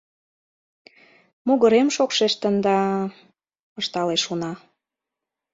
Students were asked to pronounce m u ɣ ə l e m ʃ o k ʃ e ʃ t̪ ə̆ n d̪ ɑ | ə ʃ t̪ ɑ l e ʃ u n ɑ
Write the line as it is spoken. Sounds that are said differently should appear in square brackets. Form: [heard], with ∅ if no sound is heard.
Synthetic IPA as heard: m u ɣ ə [ɾ] e m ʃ o k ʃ e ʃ t̪ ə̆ n d̪ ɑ | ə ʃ t̪ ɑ l e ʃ u n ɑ